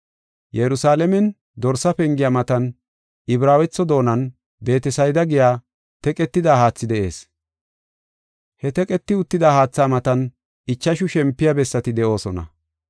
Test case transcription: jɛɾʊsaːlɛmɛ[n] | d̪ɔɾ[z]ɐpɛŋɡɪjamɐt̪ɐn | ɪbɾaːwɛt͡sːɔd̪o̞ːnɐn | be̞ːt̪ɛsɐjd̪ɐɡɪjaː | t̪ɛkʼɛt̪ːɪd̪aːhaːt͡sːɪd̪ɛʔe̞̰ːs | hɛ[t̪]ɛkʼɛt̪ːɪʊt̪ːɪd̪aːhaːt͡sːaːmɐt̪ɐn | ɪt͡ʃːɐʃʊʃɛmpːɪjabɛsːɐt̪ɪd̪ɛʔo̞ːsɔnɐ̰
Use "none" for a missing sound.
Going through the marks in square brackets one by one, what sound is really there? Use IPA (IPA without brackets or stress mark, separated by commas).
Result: n, s, t̪